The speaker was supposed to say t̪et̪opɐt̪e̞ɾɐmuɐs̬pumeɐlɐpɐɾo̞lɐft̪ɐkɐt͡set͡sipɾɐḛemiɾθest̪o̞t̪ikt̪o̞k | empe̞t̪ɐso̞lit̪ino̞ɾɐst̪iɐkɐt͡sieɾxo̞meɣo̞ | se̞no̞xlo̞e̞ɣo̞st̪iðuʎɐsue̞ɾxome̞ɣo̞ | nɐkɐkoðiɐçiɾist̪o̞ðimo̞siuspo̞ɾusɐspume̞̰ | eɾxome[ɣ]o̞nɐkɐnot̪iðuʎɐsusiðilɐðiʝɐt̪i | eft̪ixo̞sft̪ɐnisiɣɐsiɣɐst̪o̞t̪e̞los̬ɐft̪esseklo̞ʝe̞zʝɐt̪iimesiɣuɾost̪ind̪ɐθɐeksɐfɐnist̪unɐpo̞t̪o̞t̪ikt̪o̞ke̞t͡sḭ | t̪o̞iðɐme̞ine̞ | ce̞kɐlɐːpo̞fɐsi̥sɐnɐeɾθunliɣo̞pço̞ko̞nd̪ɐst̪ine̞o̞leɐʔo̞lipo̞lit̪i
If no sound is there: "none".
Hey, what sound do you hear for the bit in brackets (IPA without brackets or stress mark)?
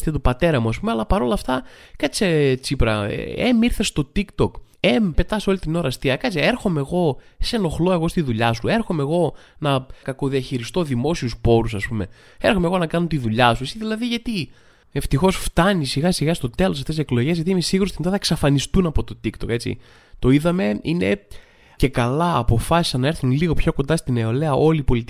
ɣ